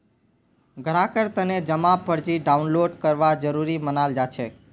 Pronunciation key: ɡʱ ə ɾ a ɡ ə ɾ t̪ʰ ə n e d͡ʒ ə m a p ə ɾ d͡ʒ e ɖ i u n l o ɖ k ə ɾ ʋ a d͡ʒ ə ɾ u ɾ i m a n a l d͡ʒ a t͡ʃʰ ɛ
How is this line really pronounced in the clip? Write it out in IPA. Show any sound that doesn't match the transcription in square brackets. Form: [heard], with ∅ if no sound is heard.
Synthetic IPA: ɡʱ ə ɾ a [k] ə ɾ [t̪] ə n e d͡ʒ ə m a p ə ɾ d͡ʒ [i] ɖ [a] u n l o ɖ k ə ɾ ʋ a d͡ʒ ə ɾ u ɾ i m [ə] n a l d͡ʒ a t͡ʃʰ [e]

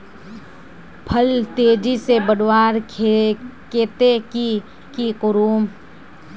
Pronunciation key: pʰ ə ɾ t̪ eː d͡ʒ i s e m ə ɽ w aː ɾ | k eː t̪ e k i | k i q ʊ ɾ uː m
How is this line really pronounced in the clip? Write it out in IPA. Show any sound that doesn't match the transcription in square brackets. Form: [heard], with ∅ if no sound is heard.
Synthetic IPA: pʰ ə [l] t̪ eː d͡ʒ i s e [b] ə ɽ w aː ɾ | k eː t̪ e k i | k i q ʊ ɾ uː m

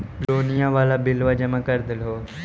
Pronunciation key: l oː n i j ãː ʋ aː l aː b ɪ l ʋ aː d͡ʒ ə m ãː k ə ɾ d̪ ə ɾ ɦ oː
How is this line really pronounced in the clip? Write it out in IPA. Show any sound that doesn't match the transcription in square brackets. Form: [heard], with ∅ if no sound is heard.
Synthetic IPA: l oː n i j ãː ʋ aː l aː b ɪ l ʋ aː d͡ʒ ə m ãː k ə ɾ d̪ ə [l] ɦ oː

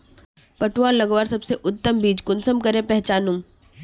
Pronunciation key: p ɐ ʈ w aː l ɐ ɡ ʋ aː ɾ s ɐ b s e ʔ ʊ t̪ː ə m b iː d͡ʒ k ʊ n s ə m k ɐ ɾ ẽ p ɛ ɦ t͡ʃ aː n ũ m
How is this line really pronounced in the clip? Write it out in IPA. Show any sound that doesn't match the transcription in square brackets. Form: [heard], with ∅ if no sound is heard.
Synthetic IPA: p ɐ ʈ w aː l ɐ ɡ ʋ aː ɾ s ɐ b s e ʔ ʊ t̪ː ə m b iː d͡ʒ k ʊ n s ə m k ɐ ɾ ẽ p ɛ ɦ t͡ʃ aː n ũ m

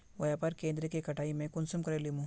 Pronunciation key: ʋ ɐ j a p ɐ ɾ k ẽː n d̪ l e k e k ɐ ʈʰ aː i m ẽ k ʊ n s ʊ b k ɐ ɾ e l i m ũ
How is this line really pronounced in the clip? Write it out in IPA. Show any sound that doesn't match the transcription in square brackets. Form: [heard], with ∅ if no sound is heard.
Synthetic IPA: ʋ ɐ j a p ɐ ɾ k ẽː n d̪ [ɾ] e k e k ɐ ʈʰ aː i m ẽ k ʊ n s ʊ [m] k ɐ ɾ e l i m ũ

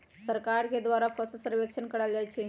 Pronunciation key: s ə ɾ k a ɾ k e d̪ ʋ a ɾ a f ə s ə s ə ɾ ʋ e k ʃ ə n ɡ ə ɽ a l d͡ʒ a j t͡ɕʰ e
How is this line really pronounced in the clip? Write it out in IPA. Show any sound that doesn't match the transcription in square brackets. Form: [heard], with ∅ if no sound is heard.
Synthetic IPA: s ə ɾ k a ɾ k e d̪ ʋ a ɾ a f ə s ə s ə ɾ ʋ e k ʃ ə n [k] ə ɽ a l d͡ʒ a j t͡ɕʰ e

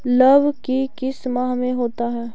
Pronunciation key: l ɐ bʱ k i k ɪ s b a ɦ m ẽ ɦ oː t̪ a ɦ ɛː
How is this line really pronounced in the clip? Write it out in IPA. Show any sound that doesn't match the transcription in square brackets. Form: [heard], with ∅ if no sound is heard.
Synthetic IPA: l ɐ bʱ k i k ɪ s [m] a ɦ m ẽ ɦ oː t̪ a ɦ ɛː

